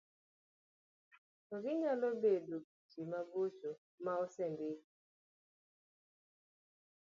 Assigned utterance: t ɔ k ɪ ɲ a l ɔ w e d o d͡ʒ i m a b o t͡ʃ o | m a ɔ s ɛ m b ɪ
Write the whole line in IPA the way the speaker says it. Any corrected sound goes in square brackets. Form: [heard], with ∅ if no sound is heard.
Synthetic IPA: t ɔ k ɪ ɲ a l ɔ [b] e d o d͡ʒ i m a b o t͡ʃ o | m a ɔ s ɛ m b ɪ